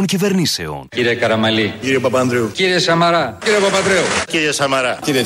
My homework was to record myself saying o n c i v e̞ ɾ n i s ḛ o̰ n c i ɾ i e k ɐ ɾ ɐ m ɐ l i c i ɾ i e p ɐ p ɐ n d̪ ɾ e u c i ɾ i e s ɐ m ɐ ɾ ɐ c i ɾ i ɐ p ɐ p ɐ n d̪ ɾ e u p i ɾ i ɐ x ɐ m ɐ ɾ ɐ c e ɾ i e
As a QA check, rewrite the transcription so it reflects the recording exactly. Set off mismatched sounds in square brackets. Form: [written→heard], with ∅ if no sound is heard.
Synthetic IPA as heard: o n c i v e̞ ɾ n i s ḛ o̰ n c i ɾ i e k ɐ ɾ ɐ m ɐ l i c i ɾ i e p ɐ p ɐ n d̪ ɾ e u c i ɾ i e s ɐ m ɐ ɾ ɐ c i ɾ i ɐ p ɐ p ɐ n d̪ ɾ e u [p→c] i ɾ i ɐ [x→s] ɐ m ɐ ɾ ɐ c [e→i] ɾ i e